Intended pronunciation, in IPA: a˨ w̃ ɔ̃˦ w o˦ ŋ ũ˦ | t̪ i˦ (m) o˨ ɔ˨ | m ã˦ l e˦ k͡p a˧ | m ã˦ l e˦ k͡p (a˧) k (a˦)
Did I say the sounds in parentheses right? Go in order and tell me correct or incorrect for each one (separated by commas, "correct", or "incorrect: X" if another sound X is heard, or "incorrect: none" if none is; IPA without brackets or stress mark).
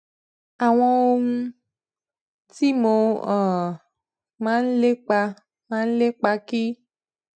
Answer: correct, correct, incorrect: i˦